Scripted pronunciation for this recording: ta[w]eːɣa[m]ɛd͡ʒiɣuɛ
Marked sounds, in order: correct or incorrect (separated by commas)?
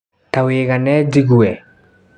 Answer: correct, incorrect